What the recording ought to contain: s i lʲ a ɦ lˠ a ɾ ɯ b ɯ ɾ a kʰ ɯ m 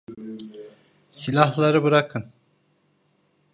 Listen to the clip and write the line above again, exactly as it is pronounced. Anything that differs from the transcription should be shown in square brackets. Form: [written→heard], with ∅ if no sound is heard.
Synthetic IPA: s i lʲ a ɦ lˠ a ɾ ɯ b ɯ ɾ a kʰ ɯ [m→n]